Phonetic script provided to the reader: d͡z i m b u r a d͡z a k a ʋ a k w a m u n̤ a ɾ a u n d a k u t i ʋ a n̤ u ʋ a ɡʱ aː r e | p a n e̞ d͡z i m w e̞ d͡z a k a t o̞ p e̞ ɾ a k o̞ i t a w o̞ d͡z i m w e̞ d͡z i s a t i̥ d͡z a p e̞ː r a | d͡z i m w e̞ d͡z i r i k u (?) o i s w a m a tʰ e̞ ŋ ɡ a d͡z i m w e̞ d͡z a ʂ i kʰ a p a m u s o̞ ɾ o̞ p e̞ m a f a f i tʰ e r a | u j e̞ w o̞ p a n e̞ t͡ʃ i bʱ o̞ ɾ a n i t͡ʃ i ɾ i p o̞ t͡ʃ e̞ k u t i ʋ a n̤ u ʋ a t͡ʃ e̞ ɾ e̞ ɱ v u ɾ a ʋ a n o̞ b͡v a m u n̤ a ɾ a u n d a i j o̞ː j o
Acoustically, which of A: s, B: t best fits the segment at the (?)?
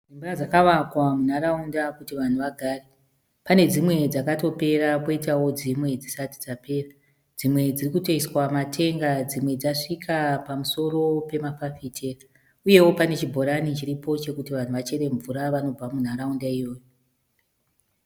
B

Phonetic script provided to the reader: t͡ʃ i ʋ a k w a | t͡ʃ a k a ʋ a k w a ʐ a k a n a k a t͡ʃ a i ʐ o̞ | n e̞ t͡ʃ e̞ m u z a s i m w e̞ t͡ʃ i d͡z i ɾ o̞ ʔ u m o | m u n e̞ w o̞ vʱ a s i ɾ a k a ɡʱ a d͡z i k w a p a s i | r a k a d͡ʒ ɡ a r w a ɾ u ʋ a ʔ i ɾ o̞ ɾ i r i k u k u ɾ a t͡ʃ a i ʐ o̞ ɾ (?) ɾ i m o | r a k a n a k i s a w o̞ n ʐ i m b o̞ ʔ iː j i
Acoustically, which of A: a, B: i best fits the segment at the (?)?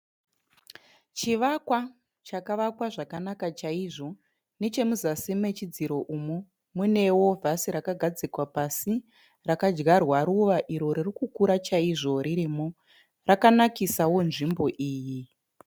B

